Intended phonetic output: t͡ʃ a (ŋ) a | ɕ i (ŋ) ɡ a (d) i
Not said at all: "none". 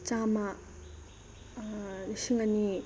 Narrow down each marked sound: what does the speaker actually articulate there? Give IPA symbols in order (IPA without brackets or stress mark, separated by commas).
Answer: m, ŋ, n